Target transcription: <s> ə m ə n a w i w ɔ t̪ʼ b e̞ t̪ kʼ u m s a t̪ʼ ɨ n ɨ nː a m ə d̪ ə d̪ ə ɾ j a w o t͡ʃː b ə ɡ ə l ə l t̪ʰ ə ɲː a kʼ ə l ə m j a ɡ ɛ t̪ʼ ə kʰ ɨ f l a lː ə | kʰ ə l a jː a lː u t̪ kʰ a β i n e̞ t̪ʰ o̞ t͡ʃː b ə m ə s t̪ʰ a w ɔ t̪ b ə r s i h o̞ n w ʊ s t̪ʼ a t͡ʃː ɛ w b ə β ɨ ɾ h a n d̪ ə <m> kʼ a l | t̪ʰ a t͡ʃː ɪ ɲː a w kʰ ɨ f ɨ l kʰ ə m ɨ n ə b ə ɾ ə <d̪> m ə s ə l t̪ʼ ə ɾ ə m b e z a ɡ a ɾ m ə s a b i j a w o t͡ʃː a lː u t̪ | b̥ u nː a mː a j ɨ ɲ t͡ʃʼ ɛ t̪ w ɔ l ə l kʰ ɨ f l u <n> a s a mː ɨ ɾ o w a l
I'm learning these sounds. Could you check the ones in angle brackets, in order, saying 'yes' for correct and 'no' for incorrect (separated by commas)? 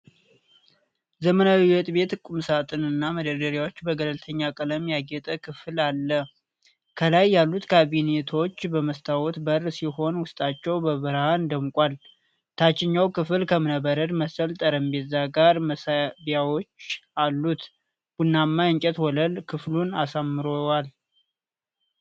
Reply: no, yes, yes, yes